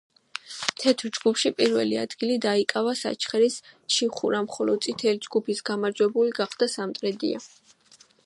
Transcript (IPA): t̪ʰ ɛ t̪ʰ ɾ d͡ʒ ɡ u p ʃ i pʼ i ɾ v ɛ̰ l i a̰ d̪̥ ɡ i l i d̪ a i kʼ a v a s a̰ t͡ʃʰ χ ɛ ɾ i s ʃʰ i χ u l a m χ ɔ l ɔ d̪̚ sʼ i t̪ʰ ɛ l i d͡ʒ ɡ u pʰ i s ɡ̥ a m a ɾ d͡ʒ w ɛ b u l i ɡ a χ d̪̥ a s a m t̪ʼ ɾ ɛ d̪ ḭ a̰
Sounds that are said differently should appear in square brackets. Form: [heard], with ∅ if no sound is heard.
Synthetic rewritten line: t̪ʰ ɛ t̪ʰ ɾ d͡ʒ ɡ u p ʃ i pʼ i ɾ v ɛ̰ l i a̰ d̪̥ ɡ i l i d̪ a i kʼ a v a s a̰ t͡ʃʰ χ ɛ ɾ i s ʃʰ i χ u [ɾ] a m χ ɔ l ɔ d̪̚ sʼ i t̪ʰ ɛ l i d͡ʒ ɡ u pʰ i s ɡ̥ a m a ɾ d͡ʒ w ɛ b u l i ɡ a χ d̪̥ a s a m t̪ʼ ɾ ɛ d̪ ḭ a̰